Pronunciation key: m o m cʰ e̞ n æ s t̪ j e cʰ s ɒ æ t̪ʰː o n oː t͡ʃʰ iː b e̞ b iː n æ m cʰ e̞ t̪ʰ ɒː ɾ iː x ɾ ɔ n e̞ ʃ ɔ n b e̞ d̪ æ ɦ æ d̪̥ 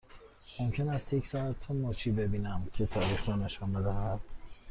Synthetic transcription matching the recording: m o m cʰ e̞ n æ s t̪ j e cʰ s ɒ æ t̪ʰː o n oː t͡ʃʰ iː b e̞ b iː n æ m cʰ e̞ t̪ʰ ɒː ɾ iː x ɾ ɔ n e̞ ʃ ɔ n b e̞ d̪ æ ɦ æ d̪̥